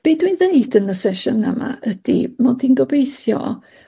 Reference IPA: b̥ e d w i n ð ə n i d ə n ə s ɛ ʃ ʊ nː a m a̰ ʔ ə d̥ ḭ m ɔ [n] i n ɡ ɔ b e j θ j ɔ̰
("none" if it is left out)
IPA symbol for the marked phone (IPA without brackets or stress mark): d